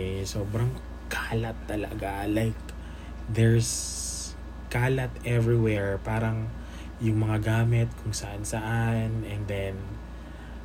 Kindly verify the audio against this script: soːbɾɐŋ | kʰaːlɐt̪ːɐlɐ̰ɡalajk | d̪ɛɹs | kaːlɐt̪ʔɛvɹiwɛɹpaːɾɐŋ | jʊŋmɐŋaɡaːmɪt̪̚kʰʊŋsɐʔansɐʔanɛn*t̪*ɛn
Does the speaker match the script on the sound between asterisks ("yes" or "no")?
no